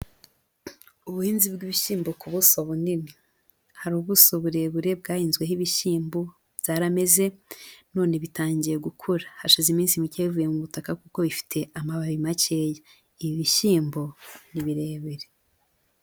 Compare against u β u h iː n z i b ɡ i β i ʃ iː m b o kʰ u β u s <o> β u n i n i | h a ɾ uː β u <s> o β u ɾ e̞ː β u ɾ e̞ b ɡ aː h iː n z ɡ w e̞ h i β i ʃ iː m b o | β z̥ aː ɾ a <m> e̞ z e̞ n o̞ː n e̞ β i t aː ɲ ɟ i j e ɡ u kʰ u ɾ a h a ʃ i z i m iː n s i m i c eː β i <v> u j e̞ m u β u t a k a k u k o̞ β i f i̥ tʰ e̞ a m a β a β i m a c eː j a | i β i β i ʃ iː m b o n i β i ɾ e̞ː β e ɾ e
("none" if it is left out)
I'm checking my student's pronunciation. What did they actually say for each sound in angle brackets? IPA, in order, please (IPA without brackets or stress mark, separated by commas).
o, s, m, v